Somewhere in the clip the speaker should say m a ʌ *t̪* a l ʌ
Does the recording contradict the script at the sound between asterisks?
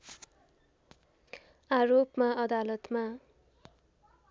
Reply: yes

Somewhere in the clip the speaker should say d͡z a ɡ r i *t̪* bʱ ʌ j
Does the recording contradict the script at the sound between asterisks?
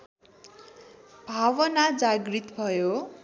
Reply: no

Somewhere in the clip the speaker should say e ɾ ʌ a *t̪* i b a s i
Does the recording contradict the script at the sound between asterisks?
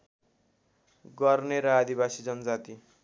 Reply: yes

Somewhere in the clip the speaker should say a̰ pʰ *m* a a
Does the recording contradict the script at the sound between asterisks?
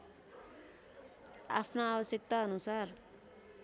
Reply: yes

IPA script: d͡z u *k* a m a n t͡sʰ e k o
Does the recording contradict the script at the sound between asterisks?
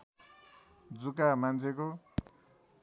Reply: no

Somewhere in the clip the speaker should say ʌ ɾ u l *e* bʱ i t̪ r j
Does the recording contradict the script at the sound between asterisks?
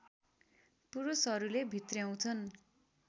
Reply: no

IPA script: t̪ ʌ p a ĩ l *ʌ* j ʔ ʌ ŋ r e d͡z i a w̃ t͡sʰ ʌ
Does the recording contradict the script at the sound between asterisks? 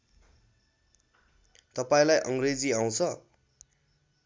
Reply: yes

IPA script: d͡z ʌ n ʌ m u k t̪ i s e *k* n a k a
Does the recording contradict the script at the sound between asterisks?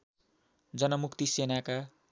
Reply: yes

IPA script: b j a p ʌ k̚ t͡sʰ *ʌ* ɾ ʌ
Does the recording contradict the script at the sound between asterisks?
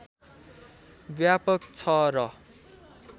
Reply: no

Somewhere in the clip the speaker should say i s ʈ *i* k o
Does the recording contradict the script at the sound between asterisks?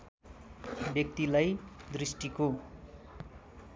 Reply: no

